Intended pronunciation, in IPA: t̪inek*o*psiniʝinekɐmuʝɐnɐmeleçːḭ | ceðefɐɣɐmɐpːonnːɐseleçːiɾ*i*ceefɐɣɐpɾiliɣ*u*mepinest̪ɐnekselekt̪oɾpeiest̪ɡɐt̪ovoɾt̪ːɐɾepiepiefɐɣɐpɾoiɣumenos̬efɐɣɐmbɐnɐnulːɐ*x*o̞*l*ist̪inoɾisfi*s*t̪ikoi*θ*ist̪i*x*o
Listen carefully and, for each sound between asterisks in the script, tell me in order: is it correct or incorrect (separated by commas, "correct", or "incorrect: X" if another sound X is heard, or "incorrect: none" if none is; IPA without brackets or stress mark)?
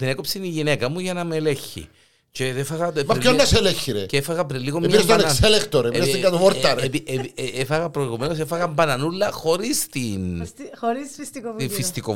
correct, incorrect: e, incorrect: o, correct, incorrect: ɾ, correct, incorrect: f, incorrect: k